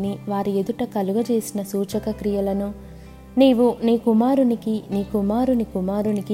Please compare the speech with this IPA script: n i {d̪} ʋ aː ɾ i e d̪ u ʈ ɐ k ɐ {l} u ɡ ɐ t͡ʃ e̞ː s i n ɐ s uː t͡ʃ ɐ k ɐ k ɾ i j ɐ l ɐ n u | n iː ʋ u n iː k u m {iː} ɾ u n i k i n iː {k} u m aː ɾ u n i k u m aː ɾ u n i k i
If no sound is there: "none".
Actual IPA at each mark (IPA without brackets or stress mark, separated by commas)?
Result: none, l, aː, k